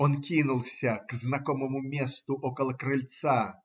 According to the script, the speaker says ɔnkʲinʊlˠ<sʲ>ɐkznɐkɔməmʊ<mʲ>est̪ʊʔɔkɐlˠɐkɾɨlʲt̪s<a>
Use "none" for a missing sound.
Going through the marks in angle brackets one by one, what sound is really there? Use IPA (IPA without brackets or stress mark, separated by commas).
sʲ, mʲ, a